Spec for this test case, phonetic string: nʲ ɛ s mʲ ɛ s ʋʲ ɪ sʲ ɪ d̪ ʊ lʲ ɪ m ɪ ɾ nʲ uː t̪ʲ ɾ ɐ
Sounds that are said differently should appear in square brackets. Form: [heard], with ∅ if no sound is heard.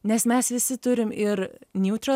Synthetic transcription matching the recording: nʲ ɛ s mʲ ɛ s ʋʲ ɪ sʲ ɪ [t̪] ʊ [ɾʲ] ɪ m ɪ ɾ nʲ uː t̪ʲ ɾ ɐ